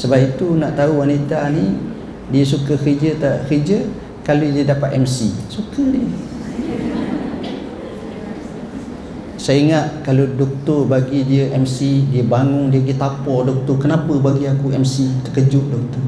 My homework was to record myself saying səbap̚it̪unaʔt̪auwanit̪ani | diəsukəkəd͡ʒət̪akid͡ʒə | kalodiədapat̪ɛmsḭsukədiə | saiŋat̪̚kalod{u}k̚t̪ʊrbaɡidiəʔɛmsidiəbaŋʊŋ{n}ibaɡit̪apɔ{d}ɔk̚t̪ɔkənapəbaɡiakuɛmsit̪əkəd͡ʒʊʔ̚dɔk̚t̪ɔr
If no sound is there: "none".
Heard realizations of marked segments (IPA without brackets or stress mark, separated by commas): ɔ, d, d